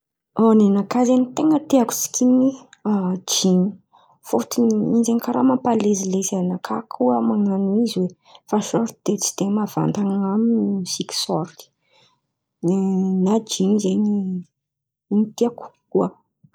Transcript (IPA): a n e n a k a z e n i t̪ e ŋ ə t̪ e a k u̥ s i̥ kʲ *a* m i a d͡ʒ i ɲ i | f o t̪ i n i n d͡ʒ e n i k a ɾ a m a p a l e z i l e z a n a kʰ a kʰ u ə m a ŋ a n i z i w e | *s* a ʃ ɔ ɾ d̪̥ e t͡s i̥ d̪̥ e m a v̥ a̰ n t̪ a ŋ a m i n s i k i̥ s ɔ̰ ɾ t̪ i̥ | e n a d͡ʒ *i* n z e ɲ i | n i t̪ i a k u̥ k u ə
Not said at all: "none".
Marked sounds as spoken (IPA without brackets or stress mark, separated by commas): i, f, i